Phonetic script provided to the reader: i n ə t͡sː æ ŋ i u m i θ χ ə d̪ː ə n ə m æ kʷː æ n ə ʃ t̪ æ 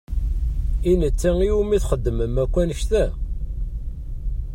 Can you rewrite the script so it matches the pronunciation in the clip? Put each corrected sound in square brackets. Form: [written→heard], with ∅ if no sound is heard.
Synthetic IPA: i n ə t͡sː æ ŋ i u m i θ χ ə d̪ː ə [n→m] ə m æ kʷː æ n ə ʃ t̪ æ